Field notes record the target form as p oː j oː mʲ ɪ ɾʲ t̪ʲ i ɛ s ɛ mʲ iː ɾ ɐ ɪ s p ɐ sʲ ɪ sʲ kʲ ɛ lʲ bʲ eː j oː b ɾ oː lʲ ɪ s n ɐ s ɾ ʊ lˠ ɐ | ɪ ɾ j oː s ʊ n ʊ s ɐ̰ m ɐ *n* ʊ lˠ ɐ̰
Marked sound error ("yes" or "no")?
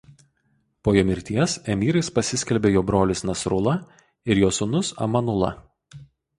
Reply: no